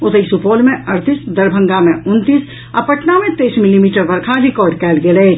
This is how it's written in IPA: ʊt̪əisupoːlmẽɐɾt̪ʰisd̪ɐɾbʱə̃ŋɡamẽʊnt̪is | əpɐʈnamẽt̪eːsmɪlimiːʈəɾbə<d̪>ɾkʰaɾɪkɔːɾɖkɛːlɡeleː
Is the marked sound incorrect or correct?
incorrect